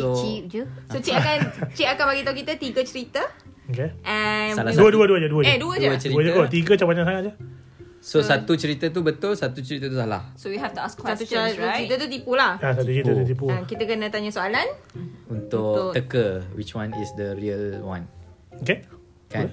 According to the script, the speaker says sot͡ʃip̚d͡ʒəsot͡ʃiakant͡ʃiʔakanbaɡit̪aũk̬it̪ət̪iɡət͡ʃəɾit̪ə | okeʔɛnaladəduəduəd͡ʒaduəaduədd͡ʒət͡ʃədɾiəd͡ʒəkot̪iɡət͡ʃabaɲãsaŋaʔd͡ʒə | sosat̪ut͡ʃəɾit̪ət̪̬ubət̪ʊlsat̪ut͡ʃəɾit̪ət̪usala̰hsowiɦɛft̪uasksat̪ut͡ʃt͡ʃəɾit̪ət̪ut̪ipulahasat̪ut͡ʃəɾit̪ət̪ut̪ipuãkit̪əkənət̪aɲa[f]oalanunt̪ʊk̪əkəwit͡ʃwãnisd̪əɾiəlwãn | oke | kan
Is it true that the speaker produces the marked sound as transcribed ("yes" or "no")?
no